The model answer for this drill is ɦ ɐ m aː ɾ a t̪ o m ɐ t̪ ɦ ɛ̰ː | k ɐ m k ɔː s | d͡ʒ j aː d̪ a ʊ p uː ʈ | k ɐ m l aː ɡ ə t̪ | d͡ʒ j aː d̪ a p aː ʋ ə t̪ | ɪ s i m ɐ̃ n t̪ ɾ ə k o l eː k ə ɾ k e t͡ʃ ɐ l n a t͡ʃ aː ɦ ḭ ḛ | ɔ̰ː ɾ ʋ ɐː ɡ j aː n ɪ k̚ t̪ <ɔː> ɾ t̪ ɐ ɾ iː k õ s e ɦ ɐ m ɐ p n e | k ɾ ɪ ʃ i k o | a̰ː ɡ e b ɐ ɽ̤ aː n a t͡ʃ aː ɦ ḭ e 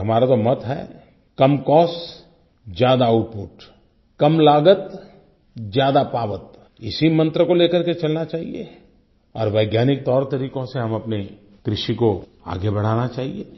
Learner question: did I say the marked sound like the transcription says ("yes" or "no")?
yes